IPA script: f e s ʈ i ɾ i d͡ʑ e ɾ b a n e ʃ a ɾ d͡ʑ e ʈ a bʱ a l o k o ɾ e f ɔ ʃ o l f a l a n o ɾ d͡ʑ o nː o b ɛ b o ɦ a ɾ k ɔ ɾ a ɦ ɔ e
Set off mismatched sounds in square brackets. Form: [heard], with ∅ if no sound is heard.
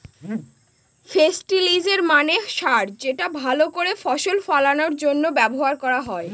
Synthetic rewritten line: f e s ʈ i [l] i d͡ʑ e ɾ [m] a n e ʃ a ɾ d͡ʑ e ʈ a bʱ a l o k o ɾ e f ɔ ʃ o l f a l a n o ɾ d͡ʑ o nː o b ɛ b o ɦ a ɾ k ɔ ɾ a ɦ ɔ e